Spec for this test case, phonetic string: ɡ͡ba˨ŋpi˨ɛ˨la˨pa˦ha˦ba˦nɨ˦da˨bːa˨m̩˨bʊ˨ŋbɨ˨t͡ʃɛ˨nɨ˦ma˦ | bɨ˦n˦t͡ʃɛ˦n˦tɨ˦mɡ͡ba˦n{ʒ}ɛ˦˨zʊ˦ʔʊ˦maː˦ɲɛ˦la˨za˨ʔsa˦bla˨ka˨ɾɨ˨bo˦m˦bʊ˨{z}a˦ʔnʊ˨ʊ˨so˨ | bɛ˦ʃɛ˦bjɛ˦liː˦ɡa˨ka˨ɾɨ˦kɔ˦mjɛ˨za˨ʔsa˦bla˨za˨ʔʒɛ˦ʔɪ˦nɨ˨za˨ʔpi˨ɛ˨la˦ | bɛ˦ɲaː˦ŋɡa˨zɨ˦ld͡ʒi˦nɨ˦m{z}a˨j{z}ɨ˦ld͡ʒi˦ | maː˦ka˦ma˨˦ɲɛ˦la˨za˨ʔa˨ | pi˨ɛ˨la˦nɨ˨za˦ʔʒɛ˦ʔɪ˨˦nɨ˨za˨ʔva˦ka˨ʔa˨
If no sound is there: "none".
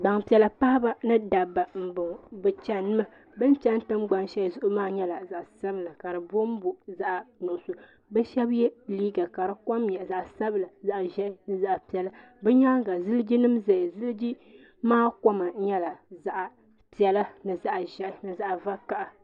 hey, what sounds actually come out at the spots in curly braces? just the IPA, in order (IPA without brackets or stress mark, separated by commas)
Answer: ʃ, z, z, z